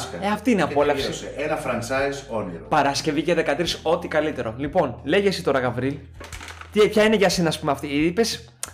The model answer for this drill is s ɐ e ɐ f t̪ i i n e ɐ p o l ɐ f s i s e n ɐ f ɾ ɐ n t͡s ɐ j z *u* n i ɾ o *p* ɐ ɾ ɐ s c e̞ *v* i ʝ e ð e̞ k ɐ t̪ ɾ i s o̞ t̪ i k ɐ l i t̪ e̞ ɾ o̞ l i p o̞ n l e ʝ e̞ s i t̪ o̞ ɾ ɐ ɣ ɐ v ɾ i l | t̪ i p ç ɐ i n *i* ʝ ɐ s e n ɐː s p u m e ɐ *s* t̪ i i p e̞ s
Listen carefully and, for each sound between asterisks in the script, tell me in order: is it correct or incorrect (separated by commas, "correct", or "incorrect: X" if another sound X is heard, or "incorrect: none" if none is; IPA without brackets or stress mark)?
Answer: incorrect: o, correct, correct, incorrect: e, incorrect: f